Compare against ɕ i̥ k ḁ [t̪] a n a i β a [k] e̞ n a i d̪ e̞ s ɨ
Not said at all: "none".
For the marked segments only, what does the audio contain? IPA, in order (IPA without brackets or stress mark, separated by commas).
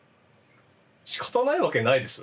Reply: t̪, k